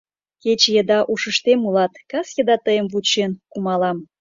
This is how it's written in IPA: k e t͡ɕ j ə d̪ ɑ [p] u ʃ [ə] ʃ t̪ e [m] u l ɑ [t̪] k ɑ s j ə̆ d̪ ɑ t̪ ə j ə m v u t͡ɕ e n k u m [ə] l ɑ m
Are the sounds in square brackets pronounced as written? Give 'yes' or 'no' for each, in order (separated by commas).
no, yes, yes, yes, no